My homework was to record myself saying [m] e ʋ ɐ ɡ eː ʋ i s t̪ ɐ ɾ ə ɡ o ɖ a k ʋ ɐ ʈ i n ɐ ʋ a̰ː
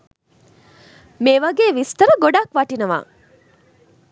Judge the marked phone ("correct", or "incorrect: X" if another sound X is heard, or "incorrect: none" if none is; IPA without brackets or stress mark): correct